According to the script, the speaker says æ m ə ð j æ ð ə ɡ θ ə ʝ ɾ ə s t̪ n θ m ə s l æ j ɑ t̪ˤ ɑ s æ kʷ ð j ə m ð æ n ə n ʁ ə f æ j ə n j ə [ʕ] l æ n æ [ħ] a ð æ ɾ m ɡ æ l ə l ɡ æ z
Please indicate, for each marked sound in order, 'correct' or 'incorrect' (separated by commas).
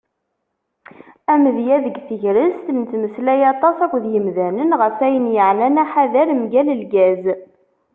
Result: correct, correct